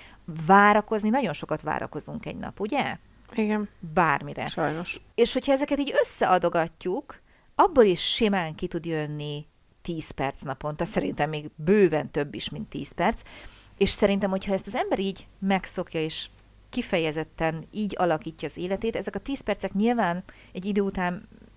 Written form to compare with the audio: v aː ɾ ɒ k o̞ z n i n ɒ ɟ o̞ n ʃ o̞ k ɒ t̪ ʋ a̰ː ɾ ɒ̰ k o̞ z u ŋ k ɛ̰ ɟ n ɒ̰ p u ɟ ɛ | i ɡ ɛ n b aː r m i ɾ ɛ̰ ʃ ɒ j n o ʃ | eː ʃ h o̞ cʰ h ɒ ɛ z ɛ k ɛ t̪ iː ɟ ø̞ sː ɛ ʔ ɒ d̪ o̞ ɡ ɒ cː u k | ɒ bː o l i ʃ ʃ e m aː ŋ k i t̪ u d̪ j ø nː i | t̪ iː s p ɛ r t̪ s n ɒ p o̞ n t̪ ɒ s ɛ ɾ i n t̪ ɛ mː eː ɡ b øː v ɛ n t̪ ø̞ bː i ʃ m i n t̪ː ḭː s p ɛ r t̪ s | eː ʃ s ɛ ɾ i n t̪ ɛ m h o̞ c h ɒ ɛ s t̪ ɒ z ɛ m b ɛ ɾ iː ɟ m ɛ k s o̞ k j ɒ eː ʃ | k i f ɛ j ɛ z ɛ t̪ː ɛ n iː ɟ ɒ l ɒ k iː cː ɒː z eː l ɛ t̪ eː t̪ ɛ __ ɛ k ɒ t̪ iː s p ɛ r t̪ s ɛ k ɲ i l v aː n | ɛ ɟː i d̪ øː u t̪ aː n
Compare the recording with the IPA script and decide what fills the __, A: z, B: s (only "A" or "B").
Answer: A